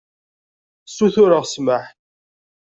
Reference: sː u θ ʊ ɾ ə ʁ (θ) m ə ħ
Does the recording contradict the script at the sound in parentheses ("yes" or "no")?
yes